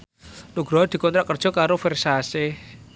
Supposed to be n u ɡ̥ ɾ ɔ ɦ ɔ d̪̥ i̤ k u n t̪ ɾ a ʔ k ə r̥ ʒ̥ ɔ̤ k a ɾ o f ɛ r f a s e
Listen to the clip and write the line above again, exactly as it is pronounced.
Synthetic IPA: n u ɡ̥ ɾ ɔ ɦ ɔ d̪̥ i̤ k ɔ n t̪ ɾ a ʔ k ə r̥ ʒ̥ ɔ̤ k a ɾ o f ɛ r s a s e